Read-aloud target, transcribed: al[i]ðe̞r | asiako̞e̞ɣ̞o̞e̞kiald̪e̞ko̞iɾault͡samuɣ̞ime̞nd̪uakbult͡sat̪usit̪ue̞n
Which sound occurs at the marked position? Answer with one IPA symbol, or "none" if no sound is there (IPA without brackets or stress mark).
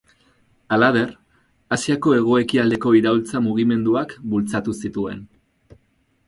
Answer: a